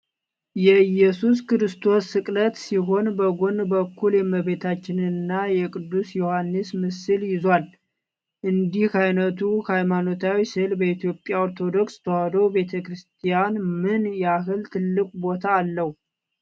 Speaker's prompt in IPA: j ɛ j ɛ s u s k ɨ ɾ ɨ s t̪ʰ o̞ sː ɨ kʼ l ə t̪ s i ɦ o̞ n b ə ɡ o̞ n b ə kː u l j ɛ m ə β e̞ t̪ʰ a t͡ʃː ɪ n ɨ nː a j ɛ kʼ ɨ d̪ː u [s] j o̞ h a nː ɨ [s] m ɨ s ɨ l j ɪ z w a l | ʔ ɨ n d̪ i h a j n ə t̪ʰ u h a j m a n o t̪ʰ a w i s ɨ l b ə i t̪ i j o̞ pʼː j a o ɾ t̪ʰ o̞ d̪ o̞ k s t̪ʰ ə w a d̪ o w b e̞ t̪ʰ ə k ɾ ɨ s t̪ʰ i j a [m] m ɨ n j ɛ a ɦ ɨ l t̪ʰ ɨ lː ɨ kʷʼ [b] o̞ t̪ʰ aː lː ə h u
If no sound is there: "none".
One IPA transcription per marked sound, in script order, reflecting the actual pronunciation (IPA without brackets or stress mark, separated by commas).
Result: s, s, n, b